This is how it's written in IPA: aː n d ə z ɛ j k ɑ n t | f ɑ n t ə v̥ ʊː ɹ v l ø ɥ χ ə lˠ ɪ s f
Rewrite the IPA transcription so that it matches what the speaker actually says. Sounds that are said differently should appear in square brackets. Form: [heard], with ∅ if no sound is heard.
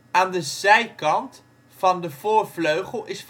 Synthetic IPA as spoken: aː n d ə z ɛ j k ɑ n t | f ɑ n [d] ə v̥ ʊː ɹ v l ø ɥ χ ə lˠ ɪ s f